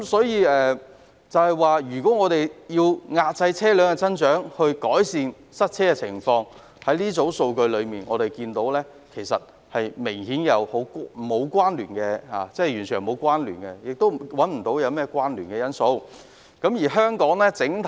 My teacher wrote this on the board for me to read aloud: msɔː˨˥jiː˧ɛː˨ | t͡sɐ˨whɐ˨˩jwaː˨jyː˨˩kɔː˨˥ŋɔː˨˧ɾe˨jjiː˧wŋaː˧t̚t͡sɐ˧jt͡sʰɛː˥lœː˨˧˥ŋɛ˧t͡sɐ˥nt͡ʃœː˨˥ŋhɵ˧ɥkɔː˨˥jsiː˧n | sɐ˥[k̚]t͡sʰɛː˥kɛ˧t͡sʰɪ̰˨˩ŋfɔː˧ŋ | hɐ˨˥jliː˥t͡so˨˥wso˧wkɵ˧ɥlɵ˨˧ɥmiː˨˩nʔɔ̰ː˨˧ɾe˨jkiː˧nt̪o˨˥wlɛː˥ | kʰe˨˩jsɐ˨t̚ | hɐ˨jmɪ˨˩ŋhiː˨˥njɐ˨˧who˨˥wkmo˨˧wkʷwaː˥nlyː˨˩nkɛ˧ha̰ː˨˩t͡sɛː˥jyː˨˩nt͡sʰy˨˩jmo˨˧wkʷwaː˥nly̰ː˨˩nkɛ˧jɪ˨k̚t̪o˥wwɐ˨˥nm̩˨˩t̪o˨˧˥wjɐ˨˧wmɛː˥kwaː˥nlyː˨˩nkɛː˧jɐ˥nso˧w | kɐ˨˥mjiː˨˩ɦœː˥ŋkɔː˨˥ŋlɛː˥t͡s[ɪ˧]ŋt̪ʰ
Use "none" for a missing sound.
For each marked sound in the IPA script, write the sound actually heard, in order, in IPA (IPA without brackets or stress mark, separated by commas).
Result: t̚, ɪ˨˥